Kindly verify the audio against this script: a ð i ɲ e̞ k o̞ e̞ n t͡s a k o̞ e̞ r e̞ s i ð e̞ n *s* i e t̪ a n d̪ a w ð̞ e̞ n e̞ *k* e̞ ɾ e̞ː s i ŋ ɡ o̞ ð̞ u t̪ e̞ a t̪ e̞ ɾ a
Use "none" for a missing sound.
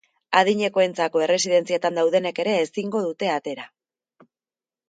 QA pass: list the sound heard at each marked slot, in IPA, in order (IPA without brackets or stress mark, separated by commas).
t͡s, k